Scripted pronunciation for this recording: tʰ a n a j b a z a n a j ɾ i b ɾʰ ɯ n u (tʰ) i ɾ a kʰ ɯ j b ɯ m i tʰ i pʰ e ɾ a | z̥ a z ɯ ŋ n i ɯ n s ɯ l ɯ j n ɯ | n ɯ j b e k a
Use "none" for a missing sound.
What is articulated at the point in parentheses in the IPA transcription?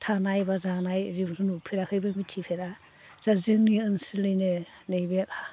pʰ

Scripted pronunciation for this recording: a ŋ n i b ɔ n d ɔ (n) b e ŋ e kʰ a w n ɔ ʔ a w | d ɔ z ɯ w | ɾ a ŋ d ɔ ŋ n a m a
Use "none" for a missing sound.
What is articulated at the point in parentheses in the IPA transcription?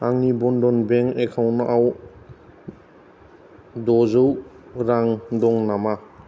n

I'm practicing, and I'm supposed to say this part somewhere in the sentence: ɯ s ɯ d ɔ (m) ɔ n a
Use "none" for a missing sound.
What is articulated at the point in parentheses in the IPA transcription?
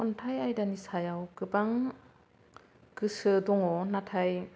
ŋ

